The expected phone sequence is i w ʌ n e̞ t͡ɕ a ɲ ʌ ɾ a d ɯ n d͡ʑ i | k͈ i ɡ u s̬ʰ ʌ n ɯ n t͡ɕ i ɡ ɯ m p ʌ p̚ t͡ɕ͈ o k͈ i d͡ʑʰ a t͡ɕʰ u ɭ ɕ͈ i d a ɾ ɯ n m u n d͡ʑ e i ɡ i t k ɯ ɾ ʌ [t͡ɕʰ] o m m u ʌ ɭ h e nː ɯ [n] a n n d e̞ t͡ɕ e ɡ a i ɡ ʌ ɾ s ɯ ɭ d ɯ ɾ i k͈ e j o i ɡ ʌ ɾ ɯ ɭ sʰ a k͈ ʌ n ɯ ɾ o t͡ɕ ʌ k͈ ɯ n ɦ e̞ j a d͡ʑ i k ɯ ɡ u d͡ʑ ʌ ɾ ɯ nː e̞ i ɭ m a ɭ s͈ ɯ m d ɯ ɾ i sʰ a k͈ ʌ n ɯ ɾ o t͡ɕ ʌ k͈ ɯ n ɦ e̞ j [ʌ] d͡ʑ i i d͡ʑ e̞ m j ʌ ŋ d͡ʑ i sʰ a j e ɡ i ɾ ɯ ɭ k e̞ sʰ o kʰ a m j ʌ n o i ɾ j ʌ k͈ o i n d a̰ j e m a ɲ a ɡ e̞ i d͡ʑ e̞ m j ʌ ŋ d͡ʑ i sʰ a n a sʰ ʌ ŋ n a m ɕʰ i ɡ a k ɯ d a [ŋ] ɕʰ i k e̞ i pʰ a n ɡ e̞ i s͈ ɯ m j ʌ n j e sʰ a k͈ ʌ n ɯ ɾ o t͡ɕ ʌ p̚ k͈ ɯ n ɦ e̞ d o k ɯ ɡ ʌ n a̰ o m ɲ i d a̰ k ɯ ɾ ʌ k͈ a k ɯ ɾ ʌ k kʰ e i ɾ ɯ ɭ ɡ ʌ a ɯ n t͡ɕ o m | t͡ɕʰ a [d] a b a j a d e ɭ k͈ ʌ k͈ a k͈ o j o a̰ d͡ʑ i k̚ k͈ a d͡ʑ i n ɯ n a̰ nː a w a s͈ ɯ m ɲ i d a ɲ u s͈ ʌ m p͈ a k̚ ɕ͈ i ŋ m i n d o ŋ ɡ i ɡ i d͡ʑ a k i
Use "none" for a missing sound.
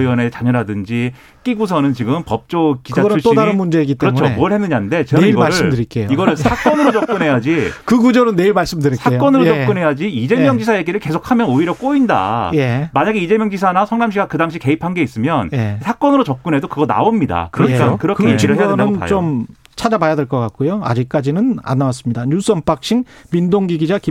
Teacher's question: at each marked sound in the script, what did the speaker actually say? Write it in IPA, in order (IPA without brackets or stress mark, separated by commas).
t͡ɕʰ, ɲ, a, ŋ, d͡ʑ